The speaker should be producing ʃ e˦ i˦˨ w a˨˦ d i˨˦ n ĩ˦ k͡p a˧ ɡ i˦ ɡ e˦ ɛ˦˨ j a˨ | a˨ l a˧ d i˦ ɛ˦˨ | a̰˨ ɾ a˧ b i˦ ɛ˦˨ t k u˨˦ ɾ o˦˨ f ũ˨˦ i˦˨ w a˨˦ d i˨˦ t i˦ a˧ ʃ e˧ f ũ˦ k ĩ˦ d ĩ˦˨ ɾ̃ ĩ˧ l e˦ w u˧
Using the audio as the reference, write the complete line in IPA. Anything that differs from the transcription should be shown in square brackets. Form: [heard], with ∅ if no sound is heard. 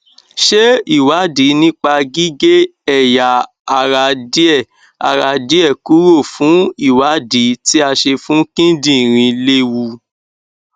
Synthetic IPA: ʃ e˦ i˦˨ w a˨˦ d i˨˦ n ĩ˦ k͡p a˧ ɡ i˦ ɡ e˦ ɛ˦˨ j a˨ | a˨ [ɾ] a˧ d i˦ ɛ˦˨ | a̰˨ ɾ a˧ [d] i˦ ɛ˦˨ [∅] k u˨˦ ɾ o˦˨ f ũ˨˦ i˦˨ w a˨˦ d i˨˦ t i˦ a˧ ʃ e˧ f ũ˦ k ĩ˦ d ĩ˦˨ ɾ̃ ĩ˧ l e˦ w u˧